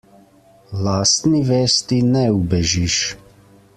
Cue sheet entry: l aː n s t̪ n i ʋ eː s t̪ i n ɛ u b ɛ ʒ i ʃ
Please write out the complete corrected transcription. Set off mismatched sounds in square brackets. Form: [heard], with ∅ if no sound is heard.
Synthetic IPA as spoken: l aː [∅] s t̪ n i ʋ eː s t̪ i n ɛ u b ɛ ʒ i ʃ